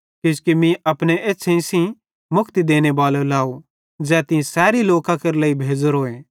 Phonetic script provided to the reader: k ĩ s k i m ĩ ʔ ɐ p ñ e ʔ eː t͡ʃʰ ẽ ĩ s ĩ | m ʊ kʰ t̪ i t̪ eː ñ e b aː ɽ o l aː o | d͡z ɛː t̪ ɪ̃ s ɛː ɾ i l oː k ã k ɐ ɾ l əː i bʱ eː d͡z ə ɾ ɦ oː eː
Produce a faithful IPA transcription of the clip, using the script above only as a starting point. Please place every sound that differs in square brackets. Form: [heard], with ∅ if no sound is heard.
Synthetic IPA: k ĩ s k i m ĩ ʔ ɐ p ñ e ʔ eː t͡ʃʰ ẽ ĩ s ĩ | m ʊ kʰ t̪ i [d̪] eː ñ e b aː [l] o l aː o | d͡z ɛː t̪ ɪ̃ s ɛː ɾ i l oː k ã k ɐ ɾ l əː i bʱ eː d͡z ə ɾ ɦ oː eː

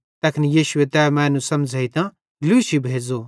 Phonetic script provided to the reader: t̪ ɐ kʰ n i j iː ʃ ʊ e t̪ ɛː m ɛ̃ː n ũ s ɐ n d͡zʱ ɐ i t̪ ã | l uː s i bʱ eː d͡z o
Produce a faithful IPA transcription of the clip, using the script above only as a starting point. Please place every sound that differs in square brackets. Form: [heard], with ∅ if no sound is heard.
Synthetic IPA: t̪ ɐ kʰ n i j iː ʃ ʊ e t̪ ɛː m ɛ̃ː n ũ s ɐ [m] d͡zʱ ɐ i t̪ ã | l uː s i bʱ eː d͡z o

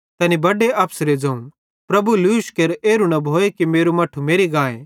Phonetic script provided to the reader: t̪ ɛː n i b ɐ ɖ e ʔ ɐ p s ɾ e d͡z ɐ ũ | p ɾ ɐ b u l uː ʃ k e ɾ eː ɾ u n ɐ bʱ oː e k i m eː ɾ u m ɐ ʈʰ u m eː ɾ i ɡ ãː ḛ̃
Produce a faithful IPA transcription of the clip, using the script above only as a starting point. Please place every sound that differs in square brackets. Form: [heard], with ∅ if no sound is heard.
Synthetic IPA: t̪ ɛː n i b ɐ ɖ e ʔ ɐ p s ɾ e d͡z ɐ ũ | p ɾ ɐ b u l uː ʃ k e ɾ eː ɾ u n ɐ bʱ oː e k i m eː ɾ u m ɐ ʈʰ u m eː ɾ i ɡ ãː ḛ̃

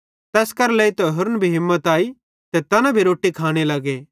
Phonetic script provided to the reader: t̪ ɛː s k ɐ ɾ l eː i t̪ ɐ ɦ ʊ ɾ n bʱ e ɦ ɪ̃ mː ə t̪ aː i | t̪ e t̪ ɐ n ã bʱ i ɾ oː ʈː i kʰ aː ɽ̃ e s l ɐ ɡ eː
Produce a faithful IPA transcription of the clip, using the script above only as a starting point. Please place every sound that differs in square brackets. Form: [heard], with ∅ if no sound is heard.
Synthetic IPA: t̪ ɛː s k ɐ ɾ l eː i t̪ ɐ ɦ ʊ ɾ n bʱ [i] ɦ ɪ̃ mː ə t̪ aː i | t̪ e t̪ ɐ n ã bʱ i ɾ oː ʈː i kʰ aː ɽ̃ e [∅] l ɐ ɡ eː

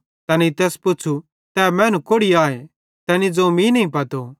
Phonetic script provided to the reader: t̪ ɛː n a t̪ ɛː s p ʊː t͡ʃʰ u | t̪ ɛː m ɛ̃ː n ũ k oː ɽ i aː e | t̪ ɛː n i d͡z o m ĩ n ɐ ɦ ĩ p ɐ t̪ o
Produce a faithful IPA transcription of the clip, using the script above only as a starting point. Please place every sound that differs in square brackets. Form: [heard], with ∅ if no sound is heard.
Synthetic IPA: t̪ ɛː n [i] t̪ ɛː s p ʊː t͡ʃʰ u | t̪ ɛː m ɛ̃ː n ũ k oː ɽ i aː e | t̪ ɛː n i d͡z o m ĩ n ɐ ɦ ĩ p ɐ t̪ o

